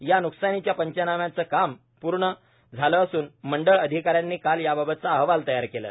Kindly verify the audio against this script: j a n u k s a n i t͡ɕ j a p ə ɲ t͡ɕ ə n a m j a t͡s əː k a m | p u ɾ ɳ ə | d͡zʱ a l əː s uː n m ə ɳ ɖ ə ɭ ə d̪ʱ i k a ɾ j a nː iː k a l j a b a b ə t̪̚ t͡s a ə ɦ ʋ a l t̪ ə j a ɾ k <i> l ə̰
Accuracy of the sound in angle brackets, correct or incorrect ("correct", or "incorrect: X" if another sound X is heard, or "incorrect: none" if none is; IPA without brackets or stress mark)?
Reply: incorrect: e